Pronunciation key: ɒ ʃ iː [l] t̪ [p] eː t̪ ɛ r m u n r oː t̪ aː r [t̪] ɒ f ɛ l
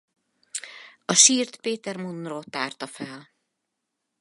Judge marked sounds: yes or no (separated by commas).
no, yes, yes